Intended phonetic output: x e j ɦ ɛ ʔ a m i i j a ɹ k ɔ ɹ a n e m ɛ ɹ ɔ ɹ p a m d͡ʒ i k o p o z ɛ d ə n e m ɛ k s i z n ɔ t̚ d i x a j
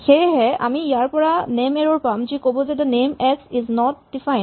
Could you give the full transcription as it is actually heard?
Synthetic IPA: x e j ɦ ɛ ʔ a m i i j a ɹ p ɔ ɹ a n e m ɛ ɹ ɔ ɹ p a m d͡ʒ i k o b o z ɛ d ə n e m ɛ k s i z n ɔ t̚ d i f a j